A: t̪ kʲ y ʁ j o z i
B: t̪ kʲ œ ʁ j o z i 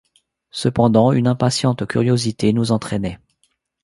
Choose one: A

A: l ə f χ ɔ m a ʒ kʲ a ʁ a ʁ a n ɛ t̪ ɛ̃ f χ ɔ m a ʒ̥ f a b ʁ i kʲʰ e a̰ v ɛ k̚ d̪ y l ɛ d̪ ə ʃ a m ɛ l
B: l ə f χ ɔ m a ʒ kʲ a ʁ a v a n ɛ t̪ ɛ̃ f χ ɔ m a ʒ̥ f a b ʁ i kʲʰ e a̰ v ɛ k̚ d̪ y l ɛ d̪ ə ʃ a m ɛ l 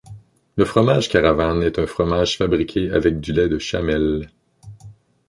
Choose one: B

